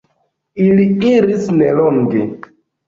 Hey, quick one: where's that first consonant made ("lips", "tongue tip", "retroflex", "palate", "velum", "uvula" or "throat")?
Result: tongue tip